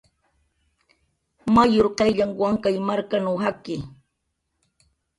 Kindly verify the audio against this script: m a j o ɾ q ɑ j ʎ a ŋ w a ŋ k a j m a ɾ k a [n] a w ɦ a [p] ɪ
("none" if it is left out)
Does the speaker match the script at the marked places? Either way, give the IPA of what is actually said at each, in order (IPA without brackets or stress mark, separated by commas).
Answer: n, k